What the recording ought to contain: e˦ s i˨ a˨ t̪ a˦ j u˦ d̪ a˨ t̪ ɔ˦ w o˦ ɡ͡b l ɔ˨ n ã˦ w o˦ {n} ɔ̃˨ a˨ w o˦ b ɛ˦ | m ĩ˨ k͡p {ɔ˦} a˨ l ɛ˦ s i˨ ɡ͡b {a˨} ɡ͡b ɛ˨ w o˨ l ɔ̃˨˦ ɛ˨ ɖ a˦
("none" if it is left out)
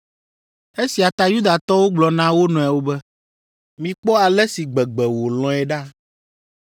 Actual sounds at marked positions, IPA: n, ɔ˦, ɛ˨

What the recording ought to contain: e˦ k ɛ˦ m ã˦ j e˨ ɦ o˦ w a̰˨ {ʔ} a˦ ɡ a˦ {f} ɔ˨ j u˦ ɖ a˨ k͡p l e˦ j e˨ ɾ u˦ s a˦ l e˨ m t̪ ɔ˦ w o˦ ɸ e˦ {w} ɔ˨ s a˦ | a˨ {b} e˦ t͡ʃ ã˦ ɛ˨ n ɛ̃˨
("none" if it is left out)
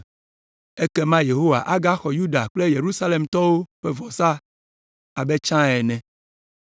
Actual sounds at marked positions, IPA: ʔ, x, v, b

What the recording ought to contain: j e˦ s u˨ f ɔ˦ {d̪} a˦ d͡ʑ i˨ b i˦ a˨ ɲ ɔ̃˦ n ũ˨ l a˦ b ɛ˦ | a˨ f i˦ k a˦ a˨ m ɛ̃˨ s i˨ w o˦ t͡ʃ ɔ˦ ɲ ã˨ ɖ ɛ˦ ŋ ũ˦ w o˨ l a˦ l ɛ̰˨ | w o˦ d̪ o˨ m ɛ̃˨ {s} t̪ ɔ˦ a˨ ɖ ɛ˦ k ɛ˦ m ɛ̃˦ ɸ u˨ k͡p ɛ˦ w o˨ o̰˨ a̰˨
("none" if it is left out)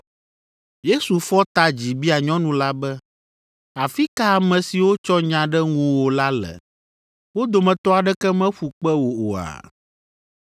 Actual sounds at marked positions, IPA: t̪, none

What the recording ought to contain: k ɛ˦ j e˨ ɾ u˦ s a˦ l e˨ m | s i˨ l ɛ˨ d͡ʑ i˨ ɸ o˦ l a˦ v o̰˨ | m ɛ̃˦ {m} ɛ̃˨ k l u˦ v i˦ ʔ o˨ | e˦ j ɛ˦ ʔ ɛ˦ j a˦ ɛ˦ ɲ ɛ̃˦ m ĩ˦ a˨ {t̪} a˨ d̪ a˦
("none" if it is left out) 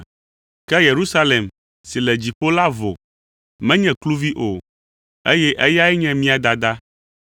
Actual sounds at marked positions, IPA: ɲ, d̪

